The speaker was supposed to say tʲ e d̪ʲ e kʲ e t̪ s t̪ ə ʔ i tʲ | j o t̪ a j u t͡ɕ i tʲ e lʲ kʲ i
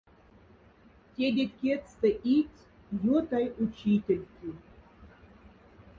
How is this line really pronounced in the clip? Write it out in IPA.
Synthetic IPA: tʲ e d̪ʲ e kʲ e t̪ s t̪ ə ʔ i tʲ | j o t̪ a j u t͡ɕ i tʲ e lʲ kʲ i